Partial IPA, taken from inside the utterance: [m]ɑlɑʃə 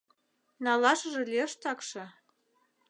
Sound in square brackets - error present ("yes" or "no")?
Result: yes